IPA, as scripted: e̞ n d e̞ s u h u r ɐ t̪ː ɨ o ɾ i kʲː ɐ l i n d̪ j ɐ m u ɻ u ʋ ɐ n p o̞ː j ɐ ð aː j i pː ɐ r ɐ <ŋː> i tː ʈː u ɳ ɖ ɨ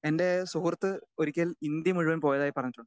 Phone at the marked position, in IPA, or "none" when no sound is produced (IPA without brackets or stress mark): ɲː